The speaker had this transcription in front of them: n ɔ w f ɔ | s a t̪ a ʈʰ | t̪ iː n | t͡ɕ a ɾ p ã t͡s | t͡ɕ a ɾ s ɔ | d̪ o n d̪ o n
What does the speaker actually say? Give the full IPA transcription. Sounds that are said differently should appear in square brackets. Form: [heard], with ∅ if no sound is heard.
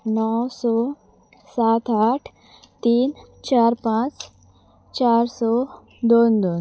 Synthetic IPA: n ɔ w [s] ɔ | s a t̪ a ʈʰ | t̪ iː n | t͡ɕ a ɾ p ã t͡s | t͡ɕ a ɾ s ɔ | d̪ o n d̪ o n